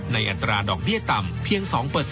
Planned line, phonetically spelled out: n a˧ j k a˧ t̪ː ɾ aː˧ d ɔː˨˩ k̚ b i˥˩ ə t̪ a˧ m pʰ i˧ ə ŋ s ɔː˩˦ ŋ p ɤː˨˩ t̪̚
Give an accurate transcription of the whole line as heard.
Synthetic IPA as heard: n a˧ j ʔ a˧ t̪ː ɾ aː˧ d ɔː˨˩ k̚ b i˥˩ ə t̪ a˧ m pʰ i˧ ə ŋ s ɔː˩˦ ŋ p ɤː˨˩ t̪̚

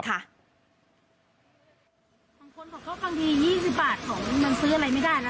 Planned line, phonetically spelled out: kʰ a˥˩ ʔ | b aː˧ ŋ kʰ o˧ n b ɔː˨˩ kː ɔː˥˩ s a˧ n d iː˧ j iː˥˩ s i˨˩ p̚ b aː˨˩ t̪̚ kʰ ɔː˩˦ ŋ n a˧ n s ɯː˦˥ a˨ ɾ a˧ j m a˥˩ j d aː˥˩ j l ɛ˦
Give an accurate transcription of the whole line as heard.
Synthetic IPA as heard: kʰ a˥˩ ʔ | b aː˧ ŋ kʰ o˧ n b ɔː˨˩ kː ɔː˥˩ f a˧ ŋ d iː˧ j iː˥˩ s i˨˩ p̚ b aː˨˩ t̪̚ kʰ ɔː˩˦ ŋ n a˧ n s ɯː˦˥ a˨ ɾ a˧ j m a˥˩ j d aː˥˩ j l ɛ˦

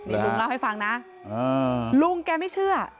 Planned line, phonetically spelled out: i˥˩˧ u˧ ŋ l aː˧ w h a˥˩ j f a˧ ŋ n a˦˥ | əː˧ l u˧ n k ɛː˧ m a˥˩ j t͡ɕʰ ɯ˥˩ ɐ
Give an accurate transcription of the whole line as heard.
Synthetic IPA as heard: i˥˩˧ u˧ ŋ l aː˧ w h a˥˩ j f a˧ ŋ n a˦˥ | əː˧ l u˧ ŋ k ɛː˧ m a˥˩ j t͡ɕʰ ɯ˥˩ ɐ

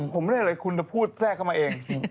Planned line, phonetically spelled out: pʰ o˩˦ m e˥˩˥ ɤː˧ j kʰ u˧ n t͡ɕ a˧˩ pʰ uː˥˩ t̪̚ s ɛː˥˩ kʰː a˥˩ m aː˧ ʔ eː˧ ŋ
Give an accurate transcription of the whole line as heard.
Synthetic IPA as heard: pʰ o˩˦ m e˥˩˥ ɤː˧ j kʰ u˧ n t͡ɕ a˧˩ pʰ uː˥˩ t̪̚ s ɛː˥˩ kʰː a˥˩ m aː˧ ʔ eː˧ ŋ

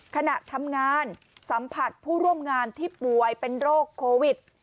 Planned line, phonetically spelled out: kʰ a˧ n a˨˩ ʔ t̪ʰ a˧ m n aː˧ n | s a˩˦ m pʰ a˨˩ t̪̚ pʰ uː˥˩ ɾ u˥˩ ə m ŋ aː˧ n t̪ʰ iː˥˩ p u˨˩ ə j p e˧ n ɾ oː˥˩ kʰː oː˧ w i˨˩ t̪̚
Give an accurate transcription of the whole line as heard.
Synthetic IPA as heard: kʰ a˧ n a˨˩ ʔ t̪ʰ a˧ m ŋ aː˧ n | s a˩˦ m pʰ a˨˩ t̪̚ pʰ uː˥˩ ɾ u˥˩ ə m ŋ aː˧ n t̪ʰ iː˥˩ p u˨˩ ə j p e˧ n ɾ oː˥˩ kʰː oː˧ w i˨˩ t̪̚

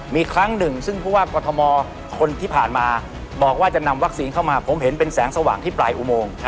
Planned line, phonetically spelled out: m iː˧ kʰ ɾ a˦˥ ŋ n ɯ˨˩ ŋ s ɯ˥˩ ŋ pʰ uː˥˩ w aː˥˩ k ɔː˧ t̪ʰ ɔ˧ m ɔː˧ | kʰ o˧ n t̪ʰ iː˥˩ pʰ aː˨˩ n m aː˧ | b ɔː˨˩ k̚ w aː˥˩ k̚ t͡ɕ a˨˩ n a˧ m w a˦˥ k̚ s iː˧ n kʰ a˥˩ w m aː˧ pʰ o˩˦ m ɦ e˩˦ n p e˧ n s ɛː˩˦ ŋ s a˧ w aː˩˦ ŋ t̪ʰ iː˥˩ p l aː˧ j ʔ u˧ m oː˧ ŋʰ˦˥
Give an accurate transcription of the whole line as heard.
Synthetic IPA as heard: m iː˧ kʰ ɾ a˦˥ ŋ n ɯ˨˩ ŋ s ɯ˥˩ ŋ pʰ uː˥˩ w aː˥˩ k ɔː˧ t̪ʰ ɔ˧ m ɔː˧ | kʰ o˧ n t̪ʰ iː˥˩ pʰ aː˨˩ n m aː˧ | b ɔː˨˩ k̚ w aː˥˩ t͡ɕ a˨˩ n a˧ m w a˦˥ k̚ s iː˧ n kʰ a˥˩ w m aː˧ pʰ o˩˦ m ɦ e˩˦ n p e˧ n s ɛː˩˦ ŋ s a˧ w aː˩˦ ŋ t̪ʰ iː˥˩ p l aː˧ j ʔ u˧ m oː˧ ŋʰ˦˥

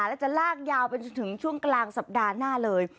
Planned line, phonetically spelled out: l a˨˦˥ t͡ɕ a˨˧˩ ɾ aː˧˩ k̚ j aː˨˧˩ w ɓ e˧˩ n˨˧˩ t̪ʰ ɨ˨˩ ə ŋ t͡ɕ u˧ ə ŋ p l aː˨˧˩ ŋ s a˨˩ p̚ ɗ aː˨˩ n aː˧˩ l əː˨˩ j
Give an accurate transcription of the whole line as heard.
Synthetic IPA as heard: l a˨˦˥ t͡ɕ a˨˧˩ l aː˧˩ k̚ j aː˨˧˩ w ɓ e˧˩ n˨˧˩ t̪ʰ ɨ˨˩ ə ŋ t͡ɕ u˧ ə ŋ k l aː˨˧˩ ŋ s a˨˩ p̚ ɗ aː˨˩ n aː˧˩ l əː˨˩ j

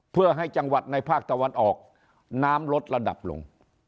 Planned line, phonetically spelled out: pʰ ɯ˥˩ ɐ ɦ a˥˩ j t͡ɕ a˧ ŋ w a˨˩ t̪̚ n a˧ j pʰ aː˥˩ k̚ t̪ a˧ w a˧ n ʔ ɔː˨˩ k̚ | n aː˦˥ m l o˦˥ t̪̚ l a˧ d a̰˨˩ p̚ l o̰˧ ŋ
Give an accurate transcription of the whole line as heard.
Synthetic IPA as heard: pʰ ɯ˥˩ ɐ ɦ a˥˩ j t͡ɕ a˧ ŋ w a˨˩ t̪̚ n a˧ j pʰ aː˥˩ k̚ t̪ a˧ w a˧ n ʔ ɔː˨˩ k̚ | n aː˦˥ m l o˦˥ t̪̚ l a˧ d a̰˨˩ p̚ l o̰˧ ŋ

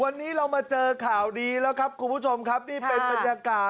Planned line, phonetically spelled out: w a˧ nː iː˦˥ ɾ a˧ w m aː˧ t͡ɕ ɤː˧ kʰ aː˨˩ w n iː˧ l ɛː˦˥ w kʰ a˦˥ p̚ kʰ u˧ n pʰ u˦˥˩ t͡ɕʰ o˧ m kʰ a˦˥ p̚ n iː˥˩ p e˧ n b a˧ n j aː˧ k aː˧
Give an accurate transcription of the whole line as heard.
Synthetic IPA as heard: w a˧ nː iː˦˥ ɾ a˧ w m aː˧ t͡ɕ ɤː˧ kʰ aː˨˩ w d iː˧ l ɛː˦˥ w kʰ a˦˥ p̚ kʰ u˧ n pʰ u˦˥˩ t͡ɕʰ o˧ m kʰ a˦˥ p̚ n iː˥˩ p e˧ n b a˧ n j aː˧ k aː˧

